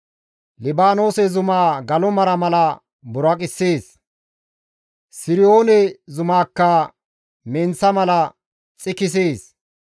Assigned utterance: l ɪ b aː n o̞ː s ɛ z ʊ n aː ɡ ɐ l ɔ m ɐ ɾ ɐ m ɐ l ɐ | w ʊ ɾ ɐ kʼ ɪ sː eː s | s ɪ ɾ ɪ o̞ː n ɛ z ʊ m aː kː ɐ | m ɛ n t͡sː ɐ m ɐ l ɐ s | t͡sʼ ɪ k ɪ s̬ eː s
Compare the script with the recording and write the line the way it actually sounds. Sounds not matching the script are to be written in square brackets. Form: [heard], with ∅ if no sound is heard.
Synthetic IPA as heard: l ɪ b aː n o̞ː s ɛ z ʊ [m] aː ɡ ɐ l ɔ m ɐ ɾ ɐ m ɐ l ɐ | [b] ʊ ɾ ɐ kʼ ɪ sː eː s | s ɪ ɾ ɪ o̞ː n ɛ z ʊ m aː kː ɐ | m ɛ n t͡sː ɐ m ɐ l ɐ [∅] | t͡sʼ ɪ k ɪ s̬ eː s